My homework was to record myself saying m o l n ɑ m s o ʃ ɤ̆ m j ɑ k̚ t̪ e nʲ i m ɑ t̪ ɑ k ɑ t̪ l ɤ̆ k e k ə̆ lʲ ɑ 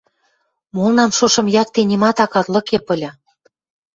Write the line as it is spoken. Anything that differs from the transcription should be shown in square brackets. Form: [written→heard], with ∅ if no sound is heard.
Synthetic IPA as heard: m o l n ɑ m [s→ʃ] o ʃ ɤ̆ m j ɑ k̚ t̪ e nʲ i m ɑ t̪ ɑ k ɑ t̪ l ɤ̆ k e [k→p] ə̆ lʲ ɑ